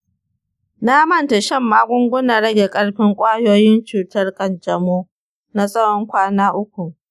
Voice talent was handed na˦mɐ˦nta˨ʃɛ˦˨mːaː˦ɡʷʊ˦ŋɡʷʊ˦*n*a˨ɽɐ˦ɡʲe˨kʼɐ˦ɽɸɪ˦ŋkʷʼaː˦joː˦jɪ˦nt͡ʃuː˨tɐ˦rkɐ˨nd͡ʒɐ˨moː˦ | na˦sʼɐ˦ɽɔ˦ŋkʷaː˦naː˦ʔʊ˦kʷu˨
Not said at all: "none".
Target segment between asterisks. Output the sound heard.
n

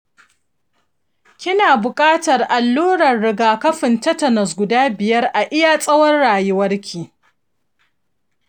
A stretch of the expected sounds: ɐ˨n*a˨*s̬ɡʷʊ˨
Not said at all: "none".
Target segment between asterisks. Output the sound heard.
ɐ˨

